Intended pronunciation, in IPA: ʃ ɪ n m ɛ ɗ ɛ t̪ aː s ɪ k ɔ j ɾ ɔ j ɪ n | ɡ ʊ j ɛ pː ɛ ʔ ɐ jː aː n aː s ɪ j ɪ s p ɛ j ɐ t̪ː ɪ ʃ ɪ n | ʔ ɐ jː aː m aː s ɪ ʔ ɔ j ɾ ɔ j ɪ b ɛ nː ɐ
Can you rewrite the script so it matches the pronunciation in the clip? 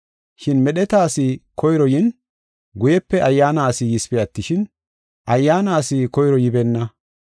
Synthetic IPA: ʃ ɪ n m ɛ ɗ ɛ t̪ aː s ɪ k ɔ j ɾ ɔ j ɪ n | ɡ ʊ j ɛ pː ɛ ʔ ɐ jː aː n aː s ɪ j ɪ s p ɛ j ɐ t̪ː ɪ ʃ ɪ n | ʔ ɐ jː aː n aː s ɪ k ɔ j ɾ ɔ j ɪ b ɛ nː ɐ